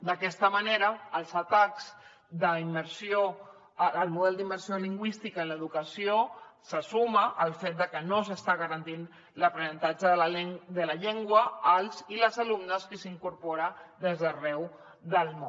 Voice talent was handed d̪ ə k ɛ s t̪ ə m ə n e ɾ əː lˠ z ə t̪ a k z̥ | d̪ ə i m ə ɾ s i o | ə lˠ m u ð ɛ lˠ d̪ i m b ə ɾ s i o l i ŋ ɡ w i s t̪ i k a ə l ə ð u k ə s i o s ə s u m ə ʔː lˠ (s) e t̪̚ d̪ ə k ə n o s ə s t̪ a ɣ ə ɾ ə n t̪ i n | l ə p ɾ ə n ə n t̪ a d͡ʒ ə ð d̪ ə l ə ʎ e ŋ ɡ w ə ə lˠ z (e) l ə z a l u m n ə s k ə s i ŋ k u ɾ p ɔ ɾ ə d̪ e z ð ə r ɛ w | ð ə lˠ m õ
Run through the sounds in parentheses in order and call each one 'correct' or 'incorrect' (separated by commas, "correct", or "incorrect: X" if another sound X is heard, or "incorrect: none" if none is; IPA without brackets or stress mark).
incorrect: f, incorrect: i